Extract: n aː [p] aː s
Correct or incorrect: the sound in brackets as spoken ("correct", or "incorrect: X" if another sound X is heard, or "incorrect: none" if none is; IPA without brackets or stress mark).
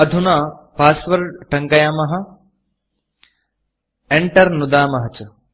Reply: correct